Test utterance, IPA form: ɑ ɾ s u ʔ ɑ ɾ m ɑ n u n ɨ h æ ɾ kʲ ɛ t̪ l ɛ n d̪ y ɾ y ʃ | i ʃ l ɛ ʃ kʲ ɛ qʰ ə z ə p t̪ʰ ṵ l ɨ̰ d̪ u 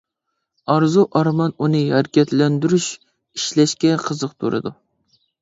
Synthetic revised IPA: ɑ ɾ z u ʔ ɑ ɾ m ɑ n u n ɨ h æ ɾ kʲ ɛ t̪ l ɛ n d̪ y ɾ y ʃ | i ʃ l ɛ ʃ kʲ ɛ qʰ ə z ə q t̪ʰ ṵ ɾ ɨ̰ d̪ u